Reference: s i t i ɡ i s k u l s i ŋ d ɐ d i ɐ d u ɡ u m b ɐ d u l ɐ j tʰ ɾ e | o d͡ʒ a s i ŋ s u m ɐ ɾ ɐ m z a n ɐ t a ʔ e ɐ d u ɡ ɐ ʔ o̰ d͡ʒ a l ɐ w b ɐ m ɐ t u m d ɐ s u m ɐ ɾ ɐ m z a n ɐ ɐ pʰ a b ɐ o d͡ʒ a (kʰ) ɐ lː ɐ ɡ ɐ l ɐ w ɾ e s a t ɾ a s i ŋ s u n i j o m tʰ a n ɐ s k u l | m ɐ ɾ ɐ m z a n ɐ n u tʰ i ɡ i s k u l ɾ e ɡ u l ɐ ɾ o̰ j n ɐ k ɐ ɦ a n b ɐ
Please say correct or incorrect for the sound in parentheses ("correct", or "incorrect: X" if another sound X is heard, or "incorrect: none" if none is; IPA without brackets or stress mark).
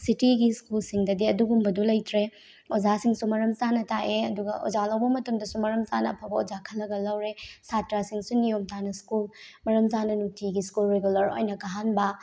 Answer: correct